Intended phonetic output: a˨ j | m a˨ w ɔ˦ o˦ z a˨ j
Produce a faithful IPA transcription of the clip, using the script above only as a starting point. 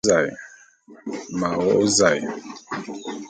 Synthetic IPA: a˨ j | m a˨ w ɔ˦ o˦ z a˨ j